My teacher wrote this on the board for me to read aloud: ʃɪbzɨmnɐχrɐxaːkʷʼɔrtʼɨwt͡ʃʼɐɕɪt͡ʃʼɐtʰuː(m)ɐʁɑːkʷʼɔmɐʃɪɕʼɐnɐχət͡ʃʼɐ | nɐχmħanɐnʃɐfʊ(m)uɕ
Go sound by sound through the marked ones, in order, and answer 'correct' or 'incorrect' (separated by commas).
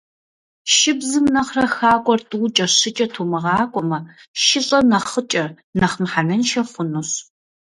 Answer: correct, incorrect